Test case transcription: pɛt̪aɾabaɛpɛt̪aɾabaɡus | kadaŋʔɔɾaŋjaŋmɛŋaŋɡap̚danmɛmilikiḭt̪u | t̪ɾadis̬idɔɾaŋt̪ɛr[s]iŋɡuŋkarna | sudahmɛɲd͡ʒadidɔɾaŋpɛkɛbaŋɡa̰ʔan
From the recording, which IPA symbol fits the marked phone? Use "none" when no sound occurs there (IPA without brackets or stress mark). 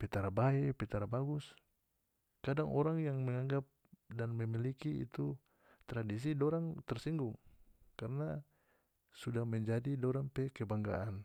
s